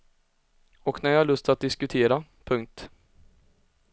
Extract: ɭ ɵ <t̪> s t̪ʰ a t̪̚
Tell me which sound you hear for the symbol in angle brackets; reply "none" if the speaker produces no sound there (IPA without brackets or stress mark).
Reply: none